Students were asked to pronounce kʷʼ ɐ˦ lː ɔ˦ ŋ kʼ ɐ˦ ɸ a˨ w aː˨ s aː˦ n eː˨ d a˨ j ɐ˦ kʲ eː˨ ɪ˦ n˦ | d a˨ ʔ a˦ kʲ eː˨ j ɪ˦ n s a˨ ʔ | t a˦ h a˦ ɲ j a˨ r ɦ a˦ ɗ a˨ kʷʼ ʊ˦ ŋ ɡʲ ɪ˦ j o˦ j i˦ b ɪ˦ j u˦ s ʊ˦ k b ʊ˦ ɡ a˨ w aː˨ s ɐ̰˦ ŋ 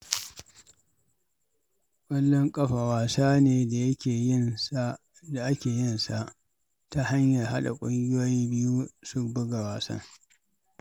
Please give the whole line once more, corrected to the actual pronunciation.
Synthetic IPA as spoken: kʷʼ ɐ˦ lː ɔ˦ ŋ kʼ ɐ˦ ɸ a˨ w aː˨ s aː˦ n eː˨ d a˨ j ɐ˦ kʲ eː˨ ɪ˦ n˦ | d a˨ ʔ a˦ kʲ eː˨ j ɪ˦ n s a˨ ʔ | t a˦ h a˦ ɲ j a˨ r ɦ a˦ ɗ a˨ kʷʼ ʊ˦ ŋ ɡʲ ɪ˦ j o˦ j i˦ b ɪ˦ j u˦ s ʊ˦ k b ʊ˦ ɡ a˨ w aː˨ s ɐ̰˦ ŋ